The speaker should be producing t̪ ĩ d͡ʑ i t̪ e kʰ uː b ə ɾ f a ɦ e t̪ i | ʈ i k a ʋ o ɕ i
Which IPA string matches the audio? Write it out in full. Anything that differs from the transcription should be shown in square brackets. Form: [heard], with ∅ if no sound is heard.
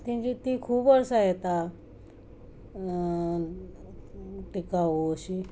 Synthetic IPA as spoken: t̪ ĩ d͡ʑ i t̪ [i] kʰ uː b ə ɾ [s] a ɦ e t̪ [a] | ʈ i k a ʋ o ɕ i